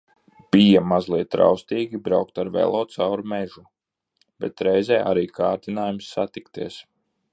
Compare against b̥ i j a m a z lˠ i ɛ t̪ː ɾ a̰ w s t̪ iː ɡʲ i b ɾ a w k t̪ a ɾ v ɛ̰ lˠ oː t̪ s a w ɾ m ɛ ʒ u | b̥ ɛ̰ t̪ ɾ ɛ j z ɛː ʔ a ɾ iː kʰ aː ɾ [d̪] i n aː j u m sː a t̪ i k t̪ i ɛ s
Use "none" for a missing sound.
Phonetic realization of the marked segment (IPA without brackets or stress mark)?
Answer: t̪